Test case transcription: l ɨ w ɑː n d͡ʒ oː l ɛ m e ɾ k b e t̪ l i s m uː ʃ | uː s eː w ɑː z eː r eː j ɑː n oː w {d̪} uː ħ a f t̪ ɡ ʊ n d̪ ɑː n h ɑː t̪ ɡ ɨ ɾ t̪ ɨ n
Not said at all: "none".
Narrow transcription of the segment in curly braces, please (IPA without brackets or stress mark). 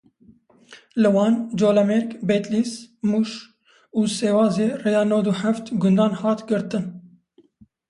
d̪